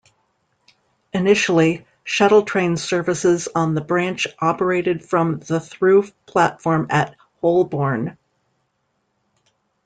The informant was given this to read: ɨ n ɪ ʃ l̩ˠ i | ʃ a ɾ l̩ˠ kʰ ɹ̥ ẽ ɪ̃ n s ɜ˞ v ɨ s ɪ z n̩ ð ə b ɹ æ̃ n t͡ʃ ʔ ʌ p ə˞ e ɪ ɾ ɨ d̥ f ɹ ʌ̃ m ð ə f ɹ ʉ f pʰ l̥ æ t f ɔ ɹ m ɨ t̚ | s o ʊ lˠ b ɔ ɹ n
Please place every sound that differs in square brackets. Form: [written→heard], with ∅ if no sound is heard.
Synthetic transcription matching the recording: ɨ n ɪ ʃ l̩ˠ i | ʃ [a→æ] ɾ l̩ˠ [kʰ→tʰ] ɹ̥ ẽ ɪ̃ n s ɜ˞ v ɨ s ɪ z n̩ ð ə b ɹ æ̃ n t͡ʃ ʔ [ʌ→ɑ] p ə˞ e ɪ ɾ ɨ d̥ f ɹ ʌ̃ m ð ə [f→θ] ɹ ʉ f pʰ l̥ æ t f ɔ ɹ m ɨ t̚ | [s→h] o ʊ lˠ b ɔ ɹ n

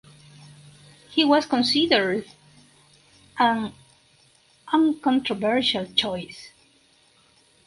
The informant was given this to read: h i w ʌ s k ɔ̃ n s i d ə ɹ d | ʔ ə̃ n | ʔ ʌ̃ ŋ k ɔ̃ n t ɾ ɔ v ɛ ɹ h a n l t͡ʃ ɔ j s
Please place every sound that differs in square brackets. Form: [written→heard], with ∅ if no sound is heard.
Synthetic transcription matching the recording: h i w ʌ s k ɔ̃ n s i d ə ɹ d | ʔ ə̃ n | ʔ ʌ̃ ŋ k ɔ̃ n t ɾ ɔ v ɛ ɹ [h→ʃ] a [n→∅] l t͡ʃ ɔ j s

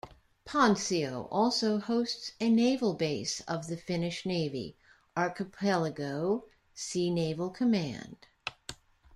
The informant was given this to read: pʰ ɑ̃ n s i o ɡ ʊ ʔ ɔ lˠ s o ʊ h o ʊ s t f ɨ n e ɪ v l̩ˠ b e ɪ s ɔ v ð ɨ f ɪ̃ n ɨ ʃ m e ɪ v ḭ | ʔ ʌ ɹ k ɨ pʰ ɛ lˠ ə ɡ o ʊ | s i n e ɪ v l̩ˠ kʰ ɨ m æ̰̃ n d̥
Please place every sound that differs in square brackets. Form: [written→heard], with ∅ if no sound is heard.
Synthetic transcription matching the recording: pʰ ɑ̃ n s i o [ɡ→∅] ʊ ʔ ɔ lˠ s o ʊ h o ʊ s t [f→s] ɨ n e ɪ v l̩ˠ b e ɪ s [ɔ→ʌ] v ð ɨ f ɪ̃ n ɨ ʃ [m→n] e ɪ v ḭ | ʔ [ʌ→ɑ] ɹ k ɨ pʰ ɛ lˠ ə ɡ o ʊ | s i n e ɪ v l̩ˠ kʰ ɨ m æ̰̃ n d̥

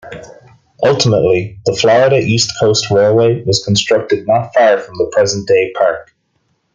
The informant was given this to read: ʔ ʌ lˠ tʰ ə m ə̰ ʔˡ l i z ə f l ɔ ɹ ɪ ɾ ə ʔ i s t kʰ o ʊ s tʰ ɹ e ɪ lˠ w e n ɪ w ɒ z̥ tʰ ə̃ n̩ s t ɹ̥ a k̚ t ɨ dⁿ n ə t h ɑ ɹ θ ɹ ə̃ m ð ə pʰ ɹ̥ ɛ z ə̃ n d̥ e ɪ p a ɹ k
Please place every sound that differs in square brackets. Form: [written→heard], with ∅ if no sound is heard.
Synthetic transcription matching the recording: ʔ ʌ lˠ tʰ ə m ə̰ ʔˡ l i [z→ð] ə f l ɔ ɹ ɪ ɾ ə ʔ i s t kʰ o ʊ s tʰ ɹ e ɪ lˠ w e [n→∅] ɪ w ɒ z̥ [tʰ→kʰ] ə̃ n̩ s t ɹ̥ [a→ʌ] k̚ t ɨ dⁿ n ə t [h→f] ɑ ɹ [θ→f] ɹ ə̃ m ð ə pʰ ɹ̥ ɛ z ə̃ n d̥ e ɪ [p→pʰ] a ɹ k

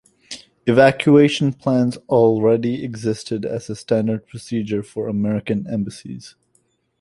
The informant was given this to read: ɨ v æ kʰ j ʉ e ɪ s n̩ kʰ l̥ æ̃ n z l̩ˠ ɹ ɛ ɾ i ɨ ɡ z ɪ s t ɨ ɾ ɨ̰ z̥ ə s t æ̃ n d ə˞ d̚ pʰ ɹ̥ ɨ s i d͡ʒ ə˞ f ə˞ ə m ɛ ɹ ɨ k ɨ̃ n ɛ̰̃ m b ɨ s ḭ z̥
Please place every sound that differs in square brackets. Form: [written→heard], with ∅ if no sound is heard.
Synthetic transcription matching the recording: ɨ v æ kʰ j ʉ e ɪ [s→ʃ] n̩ [kʰ→pʰ] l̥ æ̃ n z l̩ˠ ɹ ɛ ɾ i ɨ ɡ z ɪ s t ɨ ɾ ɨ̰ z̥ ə s t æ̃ n d ə˞ d̚ pʰ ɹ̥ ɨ s i d͡ʒ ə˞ f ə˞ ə m ɛ ɹ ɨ k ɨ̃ n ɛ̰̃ m b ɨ s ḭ z̥

